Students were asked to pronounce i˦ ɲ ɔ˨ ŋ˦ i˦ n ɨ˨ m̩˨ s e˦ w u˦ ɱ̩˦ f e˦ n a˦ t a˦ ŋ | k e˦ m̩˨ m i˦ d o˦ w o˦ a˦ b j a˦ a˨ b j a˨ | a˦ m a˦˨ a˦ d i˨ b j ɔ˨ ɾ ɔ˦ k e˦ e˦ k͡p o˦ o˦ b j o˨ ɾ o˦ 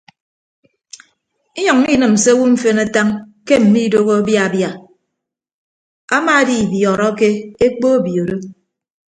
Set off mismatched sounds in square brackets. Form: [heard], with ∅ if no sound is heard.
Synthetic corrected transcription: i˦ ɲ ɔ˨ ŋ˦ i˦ n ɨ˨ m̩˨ s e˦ w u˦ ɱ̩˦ f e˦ n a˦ t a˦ ŋ | k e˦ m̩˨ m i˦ d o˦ [ɣ] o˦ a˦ b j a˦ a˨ b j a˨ | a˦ m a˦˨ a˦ d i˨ b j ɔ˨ ɾ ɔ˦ k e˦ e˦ k͡p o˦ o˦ b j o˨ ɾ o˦